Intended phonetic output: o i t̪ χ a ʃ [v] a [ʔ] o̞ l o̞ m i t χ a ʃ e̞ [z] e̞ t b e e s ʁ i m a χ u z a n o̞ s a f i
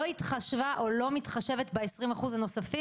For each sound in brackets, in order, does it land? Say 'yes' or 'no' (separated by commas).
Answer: yes, yes, no